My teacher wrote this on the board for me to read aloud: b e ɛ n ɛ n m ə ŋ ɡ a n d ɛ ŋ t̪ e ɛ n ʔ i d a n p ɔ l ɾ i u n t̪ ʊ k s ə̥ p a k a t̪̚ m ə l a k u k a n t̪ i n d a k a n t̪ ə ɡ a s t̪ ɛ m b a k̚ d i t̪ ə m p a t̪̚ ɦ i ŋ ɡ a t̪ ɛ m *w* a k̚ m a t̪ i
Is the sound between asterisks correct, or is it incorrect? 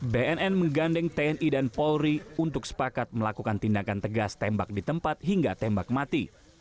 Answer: incorrect: b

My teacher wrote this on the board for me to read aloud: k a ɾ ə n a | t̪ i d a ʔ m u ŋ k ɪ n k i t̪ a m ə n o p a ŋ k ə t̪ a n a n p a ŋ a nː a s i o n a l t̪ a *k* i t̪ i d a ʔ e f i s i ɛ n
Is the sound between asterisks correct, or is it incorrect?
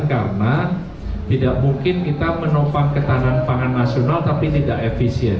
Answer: incorrect: p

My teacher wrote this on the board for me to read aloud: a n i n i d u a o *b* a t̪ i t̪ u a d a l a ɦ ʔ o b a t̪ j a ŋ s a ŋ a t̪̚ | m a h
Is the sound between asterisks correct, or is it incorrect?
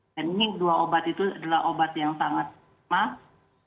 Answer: correct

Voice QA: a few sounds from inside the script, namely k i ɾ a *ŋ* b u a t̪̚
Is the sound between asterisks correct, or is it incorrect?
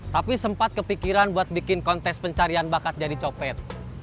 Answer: incorrect: n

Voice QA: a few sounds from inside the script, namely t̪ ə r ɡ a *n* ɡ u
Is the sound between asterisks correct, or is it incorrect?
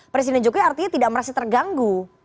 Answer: incorrect: ŋ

